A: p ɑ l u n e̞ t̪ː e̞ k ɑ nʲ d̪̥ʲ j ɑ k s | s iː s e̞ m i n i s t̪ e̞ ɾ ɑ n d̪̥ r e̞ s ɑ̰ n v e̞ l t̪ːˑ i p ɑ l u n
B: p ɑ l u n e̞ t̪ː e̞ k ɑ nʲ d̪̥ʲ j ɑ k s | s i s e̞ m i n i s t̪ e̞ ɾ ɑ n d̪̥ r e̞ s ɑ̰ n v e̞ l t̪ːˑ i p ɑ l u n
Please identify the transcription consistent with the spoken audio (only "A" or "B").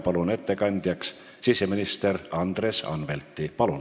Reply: B